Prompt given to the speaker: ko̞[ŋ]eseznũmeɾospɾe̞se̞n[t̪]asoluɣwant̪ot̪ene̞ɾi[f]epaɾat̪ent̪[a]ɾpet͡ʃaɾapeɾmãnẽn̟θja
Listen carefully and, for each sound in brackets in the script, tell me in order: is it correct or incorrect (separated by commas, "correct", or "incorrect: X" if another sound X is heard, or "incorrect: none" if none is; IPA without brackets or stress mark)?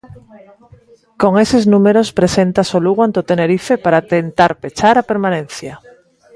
correct, correct, correct, correct